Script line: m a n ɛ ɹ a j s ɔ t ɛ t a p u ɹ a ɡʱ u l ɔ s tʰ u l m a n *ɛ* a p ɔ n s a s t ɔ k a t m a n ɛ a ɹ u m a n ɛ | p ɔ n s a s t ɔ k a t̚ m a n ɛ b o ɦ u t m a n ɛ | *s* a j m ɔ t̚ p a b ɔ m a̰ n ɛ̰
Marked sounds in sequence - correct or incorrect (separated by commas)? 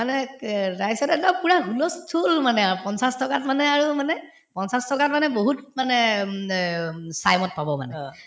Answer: correct, correct